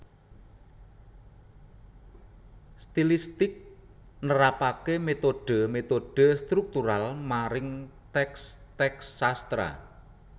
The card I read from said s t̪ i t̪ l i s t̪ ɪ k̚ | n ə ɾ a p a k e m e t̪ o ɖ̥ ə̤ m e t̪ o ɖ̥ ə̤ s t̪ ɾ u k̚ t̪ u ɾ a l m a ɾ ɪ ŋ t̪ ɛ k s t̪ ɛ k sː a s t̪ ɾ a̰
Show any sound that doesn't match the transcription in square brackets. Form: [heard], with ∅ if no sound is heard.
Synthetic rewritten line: s t̪ i [∅] l i s t̪ ɪ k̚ | n ə ɾ a p a k e m e t̪ o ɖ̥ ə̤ m e t̪ o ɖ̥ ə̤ s t̪ ɾ u k̚ t̪ u ɾ a l m a ɾ ɪ ŋ t̪ ɛ k s t̪ ɛ k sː a s t̪ ɾ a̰